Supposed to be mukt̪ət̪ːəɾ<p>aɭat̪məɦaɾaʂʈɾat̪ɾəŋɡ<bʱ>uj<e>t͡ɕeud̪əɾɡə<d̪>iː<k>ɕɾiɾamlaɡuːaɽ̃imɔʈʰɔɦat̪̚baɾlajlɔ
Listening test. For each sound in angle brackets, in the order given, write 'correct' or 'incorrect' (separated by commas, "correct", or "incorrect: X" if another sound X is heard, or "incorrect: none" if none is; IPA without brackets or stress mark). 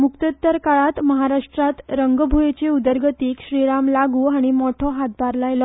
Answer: incorrect: k, correct, correct, incorrect: t̪, correct